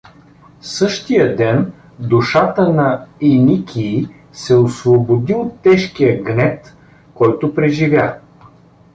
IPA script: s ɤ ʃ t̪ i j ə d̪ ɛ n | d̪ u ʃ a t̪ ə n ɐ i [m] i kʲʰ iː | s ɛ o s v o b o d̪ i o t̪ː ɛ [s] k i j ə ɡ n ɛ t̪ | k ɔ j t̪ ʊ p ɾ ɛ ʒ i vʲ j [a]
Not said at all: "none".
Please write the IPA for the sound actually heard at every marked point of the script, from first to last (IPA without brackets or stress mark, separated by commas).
n, ʃ, a